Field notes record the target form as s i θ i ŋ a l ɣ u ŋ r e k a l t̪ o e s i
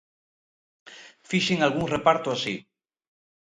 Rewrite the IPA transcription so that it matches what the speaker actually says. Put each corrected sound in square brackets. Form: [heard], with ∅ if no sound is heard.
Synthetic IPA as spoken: [f] i [ʃ] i ŋ a l ɣ u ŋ r e [p] a [ɾ] t̪ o [a] s i